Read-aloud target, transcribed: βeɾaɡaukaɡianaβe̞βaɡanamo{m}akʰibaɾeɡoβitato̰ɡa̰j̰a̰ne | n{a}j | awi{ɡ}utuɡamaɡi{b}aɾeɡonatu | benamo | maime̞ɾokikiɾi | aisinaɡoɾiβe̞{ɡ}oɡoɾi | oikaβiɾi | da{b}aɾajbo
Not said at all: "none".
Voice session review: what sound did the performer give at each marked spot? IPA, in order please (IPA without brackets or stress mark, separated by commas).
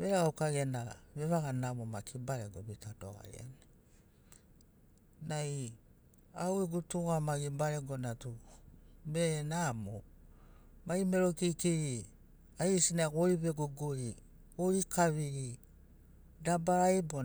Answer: m, a, ɡ, b, ɡ, b